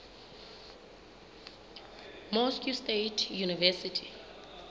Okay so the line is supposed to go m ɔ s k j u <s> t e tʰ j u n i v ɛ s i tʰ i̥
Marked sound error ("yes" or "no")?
no